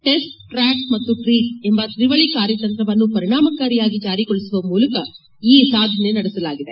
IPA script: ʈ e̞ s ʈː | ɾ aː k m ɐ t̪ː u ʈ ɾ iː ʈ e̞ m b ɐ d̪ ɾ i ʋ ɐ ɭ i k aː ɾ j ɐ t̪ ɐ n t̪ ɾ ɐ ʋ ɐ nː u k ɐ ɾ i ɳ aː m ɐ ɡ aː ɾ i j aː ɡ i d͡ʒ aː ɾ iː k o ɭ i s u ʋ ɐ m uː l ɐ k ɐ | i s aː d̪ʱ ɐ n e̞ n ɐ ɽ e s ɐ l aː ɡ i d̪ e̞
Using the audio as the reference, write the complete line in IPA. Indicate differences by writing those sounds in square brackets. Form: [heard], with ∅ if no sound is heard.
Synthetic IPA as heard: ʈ e̞ s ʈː | ɾ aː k m ɐ t̪ː u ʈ ɾ iː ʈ e̞ m b ɐ [t̪] ɾ i ʋ ɐ ɭ i k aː ɾ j ɐ t̪ ɐ n t̪ ɾ ɐ ʋ ɐ nː u [p] ɐ ɾ i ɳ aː m ɐ [k] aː ɾ i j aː ɡ i d͡ʒ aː ɾ [i] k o ɭ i s u ʋ ɐ m uː l ɐ k ɐ | [iː] s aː d̪ʱ ɐ n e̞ n ɐ ɽ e s ɐ l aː ɡ i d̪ e̞